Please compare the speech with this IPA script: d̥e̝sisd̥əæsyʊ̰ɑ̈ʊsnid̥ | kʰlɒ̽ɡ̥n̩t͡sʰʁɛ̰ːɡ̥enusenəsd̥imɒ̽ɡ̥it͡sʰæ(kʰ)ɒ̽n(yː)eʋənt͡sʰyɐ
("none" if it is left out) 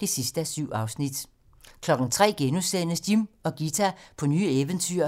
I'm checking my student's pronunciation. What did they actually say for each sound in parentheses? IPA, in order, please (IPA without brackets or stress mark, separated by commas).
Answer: pʰ, yː